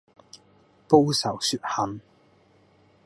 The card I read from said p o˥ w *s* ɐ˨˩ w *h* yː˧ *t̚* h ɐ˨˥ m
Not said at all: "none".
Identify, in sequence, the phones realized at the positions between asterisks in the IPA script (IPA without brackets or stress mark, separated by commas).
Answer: s, s, t̚